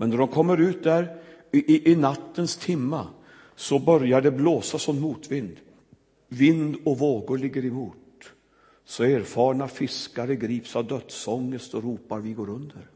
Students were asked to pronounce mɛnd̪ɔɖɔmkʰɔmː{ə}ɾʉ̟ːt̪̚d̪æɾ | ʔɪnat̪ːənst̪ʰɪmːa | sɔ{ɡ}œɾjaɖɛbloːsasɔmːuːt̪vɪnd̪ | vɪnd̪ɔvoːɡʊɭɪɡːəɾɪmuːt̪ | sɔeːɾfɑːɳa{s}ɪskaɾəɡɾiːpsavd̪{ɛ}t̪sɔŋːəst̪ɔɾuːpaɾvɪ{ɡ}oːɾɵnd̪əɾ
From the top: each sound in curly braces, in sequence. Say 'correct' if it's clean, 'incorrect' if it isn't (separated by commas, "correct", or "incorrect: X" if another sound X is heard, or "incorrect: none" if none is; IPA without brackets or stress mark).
correct, incorrect: b, incorrect: f, incorrect: œ, correct